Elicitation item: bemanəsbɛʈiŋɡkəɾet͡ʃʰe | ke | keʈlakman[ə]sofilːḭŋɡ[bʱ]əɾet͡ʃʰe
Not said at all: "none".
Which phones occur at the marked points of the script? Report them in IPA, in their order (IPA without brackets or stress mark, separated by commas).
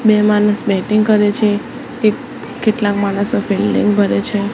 ə, bʱ